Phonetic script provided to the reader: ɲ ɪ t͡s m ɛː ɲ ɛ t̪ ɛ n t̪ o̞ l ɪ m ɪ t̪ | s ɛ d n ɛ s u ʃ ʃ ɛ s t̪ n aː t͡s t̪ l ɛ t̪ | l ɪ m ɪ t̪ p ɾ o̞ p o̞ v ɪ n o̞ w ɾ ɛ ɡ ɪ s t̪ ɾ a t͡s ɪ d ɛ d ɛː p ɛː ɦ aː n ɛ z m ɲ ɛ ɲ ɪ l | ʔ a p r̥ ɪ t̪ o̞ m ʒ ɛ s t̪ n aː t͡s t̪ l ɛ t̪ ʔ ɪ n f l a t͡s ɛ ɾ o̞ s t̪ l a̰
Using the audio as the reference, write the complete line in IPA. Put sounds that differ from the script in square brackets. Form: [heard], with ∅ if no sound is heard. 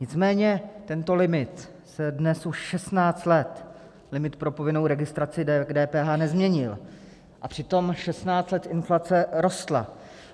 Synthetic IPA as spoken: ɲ ɪ t͡s m ɛː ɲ ɛ t̪ ɛ n t̪ o̞ l ɪ m ɪ t̪ | s ɛ d n ɛ s u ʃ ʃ ɛ s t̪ n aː t͡s t̪ l ɛ t̪ | l ɪ m ɪ t̪ p ɾ o̞ p o̞ v ɪ n o̞ w ɾ ɛ ɡ ɪ s t̪ ɾ a t͡s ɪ d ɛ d ɛː p ɛː ɦ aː n ɛ z m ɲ ɛ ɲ ɪ l | ʔ a p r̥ ɪ t̪ o̞ m [ʃ] ɛ s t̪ n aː t͡s t̪ l ɛ t̪ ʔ ɪ n f l a t͡s ɛ ɾ o̞ s t̪ l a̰